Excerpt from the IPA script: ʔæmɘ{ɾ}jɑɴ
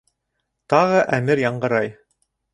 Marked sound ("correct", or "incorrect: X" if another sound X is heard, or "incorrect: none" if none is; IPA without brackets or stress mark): correct